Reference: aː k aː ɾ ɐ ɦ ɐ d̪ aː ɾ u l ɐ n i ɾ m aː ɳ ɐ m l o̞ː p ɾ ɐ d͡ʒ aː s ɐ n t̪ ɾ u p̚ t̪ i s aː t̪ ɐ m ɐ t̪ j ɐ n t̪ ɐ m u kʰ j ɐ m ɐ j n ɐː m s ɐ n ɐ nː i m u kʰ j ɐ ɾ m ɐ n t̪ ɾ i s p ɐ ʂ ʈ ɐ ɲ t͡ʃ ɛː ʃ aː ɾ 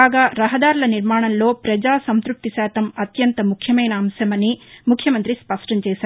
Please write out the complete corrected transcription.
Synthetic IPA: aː ɡ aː ɾ ɐ ɦ ɐ d̪ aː ɾ u l ɐ n i ɾ m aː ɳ ɐ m l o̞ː p ɾ ɐ d͡ʒ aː s ɐ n t̪ ɾ u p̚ t̪ i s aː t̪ ɐ m ɐ t̪ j ɐ n t̪ ɐ m u kʰ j ɐ m ɐ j n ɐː m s ɐ m ɐ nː i m u kʰ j ɐ m ɐ n t̪ ɾ i s p ɐ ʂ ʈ ɐ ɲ t͡ʃ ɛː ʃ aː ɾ